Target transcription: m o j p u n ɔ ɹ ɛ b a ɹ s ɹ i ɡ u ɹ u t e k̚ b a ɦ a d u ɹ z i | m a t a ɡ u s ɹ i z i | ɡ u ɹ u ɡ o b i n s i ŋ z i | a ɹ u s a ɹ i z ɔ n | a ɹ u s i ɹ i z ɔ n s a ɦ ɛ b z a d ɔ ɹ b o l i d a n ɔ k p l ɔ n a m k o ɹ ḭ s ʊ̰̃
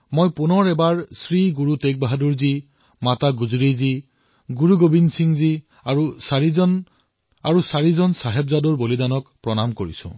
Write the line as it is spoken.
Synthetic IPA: m o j p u n ɔ ɹ ɛ b a ɹ s ɹ i ɡ u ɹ u t e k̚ b a ɦ a d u ɹ z i | m a t a ɡ u z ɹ i z i | ɡ u ɹ u ɡ o b i n s i ŋ z i | a ɹ u s a ɹ i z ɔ n | a ɹ u s a ɹ i z ɔ n s a ɦ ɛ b z a d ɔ ɹ b o l i d a n ɔ k p ɹ ɔ n a m k o ɹ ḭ s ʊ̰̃